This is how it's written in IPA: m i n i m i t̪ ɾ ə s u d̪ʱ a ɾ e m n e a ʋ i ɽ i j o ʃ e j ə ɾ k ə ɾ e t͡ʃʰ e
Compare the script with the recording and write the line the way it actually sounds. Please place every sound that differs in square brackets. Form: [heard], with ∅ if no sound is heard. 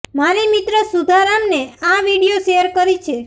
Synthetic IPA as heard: m [a] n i m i t̪ ɾ ə s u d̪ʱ a ɾ [a] m n e a ʋ i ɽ i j o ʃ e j ə ɾ k ə ɾ [i] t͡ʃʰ e

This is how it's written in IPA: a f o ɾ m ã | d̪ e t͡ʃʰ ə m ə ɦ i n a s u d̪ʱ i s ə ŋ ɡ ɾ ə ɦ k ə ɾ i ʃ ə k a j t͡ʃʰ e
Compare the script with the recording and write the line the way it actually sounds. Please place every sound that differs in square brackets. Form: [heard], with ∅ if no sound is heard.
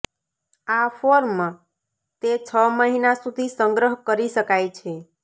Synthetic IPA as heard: a f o ɾ m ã | [t̪] e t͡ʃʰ ə m ə ɦ i n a s u d̪ʱ i s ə ŋ ɡ ɾ ə ɦ k ə ɾ i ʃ ə k a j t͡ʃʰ e

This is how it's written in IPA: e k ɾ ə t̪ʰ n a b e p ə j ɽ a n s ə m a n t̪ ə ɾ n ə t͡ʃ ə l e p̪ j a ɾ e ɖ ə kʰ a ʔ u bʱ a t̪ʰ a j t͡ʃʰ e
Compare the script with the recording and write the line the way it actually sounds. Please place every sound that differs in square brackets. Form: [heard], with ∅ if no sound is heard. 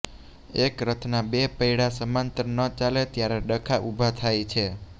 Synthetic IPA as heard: e k ɾ ə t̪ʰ n a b e p ə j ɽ a [∅] s ə m a n t̪ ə ɾ n ə t͡ʃ [a] l e [t̪] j a ɾ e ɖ ə kʰ a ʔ u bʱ a t̪ʰ a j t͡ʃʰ e

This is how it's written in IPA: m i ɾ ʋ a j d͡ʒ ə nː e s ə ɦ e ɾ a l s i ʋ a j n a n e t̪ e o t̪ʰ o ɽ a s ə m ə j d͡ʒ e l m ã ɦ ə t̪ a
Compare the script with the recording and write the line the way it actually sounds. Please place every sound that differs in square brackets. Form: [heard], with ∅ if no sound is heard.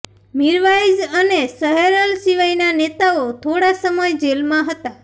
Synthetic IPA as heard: m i ɾ ʋ a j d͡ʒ ə [n] e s ə ɦ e ɾ [ə] l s i ʋ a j n a n e t̪ [a] o t̪ʰ o ɽ a s ə m ə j d͡ʒ e l m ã ɦ ə t̪ a

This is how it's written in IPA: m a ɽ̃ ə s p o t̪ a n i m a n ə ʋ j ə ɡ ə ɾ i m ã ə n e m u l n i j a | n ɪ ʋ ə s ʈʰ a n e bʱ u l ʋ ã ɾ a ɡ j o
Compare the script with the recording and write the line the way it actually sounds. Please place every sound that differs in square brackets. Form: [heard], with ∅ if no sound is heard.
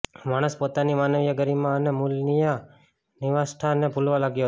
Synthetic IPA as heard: m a ɽ̃ ə s p o t̪ a n i m a n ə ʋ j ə ɡ ə ɾ i m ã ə n e m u l n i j a | n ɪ ʋ [a] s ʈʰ a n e bʱ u l ʋ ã [l] a ɡ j o

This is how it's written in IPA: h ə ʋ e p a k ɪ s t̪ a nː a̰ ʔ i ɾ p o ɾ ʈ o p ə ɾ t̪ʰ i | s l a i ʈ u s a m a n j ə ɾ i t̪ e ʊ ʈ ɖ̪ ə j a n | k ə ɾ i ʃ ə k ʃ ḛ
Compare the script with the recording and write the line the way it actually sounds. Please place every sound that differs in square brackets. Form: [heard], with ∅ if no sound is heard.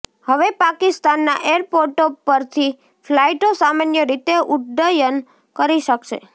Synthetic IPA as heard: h ə ʋ e p a k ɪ s t̪ a nː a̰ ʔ [e] ɾ p o ɾ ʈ o p ə ɾ t̪ʰ i | [f] l a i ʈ [o] s a m a n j ə ɾ i t̪ e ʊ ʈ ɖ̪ ə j [ə] n | k ə ɾ i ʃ ə k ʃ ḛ

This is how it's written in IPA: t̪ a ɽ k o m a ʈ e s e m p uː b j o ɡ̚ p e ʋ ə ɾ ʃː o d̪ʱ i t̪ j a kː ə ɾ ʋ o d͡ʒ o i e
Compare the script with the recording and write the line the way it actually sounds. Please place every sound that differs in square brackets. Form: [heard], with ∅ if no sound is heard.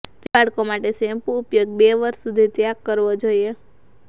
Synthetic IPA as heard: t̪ a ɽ k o m a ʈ e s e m p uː [p] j o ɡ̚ [b] e ʋ ə ɾ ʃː [u] d̪ʱ i t̪ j a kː ə ɾ ʋ o d͡ʒ o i e

